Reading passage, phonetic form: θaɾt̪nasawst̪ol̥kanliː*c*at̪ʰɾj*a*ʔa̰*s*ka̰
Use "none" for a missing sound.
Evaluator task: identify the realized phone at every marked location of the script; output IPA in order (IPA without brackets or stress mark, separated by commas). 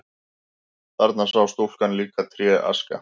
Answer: k, ɛ, s